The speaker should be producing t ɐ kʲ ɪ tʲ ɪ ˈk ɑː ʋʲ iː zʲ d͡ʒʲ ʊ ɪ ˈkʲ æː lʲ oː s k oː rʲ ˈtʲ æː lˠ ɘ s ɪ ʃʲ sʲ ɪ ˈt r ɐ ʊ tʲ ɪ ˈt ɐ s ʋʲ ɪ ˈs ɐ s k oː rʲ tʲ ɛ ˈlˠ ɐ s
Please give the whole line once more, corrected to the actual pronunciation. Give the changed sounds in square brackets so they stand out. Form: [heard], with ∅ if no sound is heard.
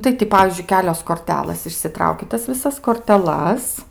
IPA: t ɐ [∅] ɪ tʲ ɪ [ˈp] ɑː ʋʲ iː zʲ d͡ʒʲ ʊ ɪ ˈkʲ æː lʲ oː s k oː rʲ ˈtʲ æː lˠ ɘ s ɪ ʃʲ sʲ ɪ ˈt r ɐ ʊ [kʲ] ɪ ˈt ɐ s ʋʲ ɪ ˈs ɐ s k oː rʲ tʲ ɛ ˈlˠ ɐ s